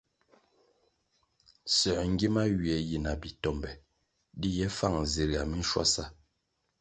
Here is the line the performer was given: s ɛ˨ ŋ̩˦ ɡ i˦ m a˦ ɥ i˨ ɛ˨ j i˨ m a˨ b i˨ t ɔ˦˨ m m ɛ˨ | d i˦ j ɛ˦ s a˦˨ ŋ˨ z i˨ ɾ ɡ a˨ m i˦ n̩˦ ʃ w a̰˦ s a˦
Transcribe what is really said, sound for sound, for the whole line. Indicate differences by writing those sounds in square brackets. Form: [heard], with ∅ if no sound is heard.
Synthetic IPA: s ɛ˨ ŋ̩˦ ɡ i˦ m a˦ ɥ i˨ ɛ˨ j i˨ [n] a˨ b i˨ t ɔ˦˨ m [b] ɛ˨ | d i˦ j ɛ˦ [f] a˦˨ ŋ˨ z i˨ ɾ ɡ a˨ m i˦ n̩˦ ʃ w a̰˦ s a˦